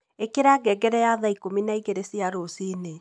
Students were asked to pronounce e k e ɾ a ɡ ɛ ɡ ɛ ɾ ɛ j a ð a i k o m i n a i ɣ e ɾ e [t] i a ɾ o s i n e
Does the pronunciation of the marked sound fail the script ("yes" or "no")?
yes